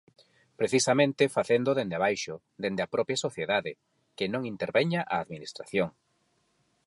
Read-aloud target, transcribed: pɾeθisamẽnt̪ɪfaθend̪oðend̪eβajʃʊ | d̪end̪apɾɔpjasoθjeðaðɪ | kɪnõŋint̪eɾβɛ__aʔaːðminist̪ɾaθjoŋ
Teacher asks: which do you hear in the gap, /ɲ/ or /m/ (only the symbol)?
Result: ɲ